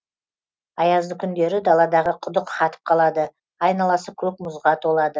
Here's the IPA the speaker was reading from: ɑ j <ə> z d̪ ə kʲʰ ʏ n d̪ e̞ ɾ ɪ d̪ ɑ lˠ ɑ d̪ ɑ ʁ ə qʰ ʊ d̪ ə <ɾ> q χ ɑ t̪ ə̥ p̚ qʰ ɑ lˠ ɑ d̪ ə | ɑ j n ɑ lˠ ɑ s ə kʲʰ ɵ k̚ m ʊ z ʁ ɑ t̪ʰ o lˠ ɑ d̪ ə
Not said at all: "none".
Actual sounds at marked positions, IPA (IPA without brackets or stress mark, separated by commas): ɑ, none